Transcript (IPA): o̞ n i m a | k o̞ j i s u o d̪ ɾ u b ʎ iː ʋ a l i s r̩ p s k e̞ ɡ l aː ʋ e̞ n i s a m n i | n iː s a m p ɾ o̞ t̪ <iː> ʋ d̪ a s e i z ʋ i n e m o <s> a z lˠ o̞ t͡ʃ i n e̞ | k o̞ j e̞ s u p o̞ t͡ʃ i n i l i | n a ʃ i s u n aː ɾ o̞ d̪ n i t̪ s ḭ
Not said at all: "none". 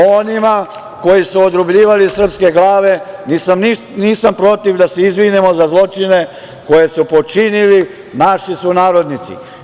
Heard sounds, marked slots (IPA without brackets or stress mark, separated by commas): i, z